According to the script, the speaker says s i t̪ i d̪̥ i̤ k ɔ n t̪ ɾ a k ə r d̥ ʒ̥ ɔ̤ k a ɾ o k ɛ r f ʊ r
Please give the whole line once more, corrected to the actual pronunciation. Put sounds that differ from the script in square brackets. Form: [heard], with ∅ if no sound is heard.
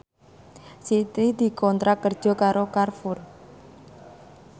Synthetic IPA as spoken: s i t̪ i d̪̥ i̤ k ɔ n t̪ ɾ a k ə r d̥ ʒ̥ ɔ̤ k a ɾ o k [a] r f ʊ r